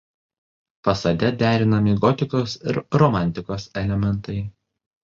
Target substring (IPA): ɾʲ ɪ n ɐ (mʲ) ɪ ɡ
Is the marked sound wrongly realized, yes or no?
no